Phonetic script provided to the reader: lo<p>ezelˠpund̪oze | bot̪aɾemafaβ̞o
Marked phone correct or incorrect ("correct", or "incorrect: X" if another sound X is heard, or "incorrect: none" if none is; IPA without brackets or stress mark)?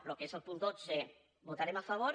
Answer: incorrect: k